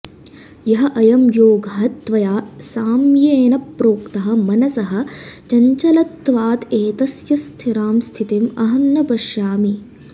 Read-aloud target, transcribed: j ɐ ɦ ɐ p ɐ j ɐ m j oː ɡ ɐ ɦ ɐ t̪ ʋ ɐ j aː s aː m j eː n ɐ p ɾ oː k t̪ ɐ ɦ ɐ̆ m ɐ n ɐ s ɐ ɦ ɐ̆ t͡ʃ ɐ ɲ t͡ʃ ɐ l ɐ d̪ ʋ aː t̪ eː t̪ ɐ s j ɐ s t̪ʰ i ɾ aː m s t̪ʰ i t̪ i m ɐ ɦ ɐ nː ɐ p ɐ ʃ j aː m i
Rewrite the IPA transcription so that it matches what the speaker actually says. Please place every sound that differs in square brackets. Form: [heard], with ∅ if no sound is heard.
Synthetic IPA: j ɐ ɦ ɐ [ʔ] ɐ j ɐ m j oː ɡ ɐ ɦ ɐ t̪ ʋ ɐ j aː s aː m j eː n ɐ p ɾ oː k t̪ ɐ ɦ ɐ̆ m ɐ n ɐ s ɐ ɦ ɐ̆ t͡ʃ ɐ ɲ t͡ʃ ɐ l ɐ [t̪] ʋ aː t̪ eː t̪ ɐ s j ɐ s t̪ʰ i ɾ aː m s t̪ʰ i t̪ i m ɐ ɦ ɐ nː ɐ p ɐ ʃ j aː m i